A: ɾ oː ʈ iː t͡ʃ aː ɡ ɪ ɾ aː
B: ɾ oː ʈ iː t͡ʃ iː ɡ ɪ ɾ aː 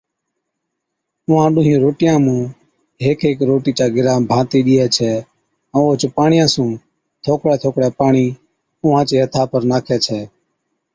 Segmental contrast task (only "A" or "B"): A